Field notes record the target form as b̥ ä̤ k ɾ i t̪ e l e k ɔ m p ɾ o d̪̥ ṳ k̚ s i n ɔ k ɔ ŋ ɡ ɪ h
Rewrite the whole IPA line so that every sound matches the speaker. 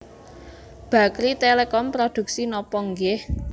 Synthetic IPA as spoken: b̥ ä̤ k ɾ i t̪ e l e k ɔ m p ɾ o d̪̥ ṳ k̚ s i n ɔ p ɔ ŋ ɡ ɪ h